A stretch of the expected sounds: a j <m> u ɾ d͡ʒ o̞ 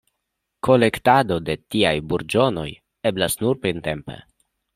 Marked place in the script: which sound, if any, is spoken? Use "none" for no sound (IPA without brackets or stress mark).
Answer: b